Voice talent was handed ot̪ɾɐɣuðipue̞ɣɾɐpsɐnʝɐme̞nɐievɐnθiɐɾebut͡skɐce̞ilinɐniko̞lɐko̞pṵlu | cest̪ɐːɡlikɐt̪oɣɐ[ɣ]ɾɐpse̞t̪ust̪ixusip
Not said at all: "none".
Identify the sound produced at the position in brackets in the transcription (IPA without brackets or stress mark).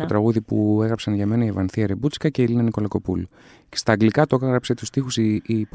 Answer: ɣ